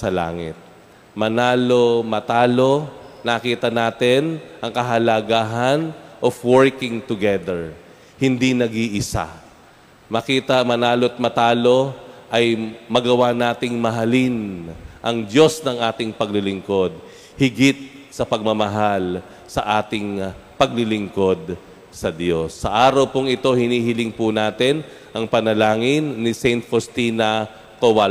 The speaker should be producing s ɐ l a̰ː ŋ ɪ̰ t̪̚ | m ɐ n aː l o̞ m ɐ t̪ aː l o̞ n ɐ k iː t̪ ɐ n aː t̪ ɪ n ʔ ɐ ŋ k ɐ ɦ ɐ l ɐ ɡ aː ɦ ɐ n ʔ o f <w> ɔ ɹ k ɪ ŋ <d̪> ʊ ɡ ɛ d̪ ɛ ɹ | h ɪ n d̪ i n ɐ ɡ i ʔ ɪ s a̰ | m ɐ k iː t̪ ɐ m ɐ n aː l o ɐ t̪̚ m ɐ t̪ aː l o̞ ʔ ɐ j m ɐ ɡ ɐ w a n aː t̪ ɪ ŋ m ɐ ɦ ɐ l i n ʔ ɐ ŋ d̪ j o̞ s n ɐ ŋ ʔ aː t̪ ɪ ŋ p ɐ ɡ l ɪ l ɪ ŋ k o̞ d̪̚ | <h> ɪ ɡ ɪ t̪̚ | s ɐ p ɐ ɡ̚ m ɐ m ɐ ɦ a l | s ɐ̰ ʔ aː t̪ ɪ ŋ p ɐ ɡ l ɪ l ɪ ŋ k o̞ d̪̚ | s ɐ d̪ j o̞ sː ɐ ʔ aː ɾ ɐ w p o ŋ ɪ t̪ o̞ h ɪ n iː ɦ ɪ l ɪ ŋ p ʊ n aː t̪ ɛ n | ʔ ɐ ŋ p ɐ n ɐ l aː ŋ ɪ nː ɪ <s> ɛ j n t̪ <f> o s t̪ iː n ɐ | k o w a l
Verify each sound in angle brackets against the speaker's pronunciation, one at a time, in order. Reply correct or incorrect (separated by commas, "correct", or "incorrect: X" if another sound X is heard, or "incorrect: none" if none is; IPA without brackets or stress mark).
correct, incorrect: t̪, correct, correct, correct